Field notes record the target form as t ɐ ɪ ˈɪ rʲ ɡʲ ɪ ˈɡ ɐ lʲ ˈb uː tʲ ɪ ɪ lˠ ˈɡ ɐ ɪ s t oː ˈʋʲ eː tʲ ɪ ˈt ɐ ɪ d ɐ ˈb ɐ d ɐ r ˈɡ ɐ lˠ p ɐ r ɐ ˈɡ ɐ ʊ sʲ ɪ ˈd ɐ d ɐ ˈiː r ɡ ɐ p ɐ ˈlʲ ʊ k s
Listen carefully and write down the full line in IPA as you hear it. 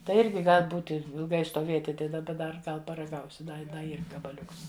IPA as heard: t ɐ ɪ ˈɪ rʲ ɡʲ ɪ ˈɡ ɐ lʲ ˈb uː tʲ ɪ ɪ lˠ ˈɡ ɐ ɪ s t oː ˈʋʲ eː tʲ ɪ ˈt ɐ ɪ d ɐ ˈb ɐ d ɐ r ˈɡ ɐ lˠ p ɐ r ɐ ˈɡ ɐ ʊ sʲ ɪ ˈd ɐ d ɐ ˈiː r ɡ ɐ b ɐ ˈlʲ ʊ k s